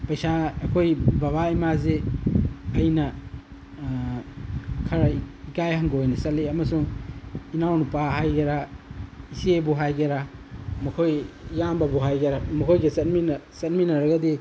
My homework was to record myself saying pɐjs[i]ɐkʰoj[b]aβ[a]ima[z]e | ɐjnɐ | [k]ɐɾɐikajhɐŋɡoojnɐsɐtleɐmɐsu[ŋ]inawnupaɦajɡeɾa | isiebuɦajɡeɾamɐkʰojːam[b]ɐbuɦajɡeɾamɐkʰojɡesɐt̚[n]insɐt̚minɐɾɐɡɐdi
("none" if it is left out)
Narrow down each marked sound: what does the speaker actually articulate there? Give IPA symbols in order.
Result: a, b, a, z, kʰ, ŋ, b, m

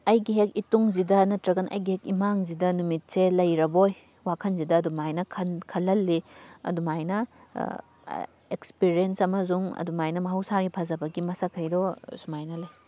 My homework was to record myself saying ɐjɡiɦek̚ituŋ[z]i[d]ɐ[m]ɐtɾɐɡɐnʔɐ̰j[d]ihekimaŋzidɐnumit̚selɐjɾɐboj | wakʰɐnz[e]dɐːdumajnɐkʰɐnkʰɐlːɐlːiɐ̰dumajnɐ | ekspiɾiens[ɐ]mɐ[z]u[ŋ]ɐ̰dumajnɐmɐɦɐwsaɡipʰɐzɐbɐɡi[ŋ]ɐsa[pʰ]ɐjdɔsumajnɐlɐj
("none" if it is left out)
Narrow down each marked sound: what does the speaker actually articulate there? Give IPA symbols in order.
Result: z, d, n, ɡ, i, ɐ, z, ŋ, m, kʰ

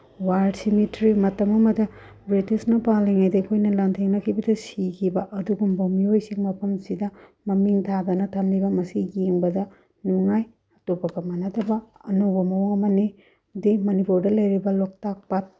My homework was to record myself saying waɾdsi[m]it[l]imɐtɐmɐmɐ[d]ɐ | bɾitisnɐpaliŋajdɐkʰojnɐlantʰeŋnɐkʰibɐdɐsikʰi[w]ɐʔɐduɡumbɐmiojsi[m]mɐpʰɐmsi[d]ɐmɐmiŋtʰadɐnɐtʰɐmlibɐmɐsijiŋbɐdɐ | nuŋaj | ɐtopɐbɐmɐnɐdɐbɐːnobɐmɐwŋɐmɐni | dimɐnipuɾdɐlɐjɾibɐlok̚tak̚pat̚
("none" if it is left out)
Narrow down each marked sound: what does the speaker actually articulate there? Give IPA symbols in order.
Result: m, ɾ, d, b, ŋ, d

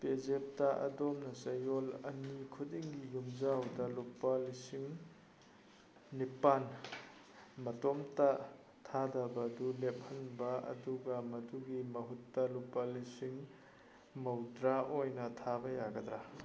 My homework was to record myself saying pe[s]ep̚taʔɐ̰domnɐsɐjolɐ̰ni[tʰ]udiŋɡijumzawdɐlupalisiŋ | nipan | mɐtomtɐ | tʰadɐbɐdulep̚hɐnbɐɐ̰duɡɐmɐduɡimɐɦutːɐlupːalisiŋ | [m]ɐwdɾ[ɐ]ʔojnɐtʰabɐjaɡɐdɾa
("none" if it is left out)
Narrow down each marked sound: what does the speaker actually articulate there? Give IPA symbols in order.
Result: z, kʰ, m, a

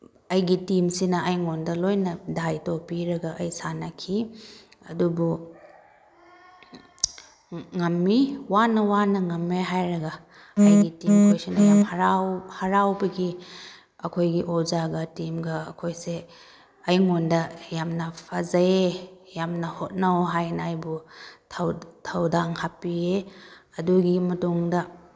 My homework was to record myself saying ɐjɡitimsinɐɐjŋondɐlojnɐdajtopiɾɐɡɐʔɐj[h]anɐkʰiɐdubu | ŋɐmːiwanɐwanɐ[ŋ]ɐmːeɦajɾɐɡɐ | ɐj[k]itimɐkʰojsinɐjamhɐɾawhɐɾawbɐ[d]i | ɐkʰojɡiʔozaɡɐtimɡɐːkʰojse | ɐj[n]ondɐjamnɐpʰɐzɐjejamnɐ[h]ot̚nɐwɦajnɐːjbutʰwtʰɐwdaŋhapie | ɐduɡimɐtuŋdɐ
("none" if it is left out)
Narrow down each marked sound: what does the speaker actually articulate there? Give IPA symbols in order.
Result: s, ŋ, ɡ, ɡ, ŋ, h

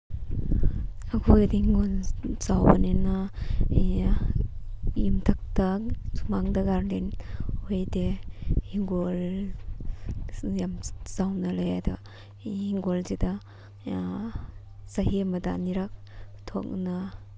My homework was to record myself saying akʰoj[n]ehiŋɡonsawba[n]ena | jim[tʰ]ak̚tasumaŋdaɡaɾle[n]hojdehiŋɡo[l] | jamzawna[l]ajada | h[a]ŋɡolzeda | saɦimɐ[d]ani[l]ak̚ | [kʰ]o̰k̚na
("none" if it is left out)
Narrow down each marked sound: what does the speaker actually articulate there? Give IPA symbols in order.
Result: d, n, tʰ, n, l, l, i, d, ɾ, tʰ

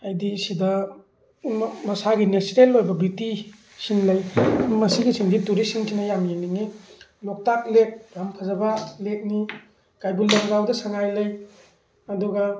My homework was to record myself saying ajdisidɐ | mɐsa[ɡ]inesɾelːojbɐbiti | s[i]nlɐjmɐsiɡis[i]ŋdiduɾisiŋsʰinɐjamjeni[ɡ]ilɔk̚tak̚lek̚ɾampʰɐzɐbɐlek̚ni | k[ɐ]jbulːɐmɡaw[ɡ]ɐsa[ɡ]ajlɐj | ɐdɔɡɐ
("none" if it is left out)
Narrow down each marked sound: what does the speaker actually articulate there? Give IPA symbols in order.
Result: ɡ, i, i, ŋ, a, d, ŋ

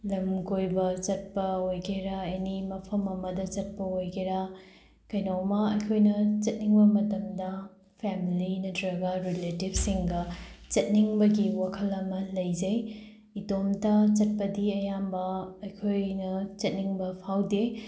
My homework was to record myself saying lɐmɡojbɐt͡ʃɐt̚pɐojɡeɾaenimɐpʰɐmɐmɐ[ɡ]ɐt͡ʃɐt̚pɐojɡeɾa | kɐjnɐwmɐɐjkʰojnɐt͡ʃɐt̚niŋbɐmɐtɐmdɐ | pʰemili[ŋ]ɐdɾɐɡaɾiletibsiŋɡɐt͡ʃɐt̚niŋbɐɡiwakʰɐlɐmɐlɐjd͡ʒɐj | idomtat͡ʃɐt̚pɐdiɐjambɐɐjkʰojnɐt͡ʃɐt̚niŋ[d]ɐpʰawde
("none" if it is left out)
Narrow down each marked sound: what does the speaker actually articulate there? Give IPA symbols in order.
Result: d, n, b

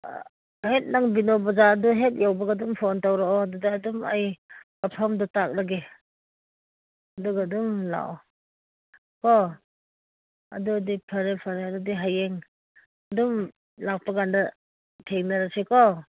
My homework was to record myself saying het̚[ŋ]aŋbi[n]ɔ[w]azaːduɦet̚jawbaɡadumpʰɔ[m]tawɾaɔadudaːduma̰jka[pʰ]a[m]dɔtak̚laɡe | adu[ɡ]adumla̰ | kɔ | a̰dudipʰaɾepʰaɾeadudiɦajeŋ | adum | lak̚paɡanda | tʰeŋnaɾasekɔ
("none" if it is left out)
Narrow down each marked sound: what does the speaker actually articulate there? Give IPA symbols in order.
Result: n, n, b, n, pʰ, m, ɡ

